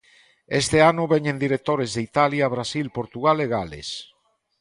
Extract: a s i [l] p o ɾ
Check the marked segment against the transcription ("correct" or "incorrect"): correct